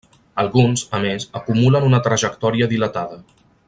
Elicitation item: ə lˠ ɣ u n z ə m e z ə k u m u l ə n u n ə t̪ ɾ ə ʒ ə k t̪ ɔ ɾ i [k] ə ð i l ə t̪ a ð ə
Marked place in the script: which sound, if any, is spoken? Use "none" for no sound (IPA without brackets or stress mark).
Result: none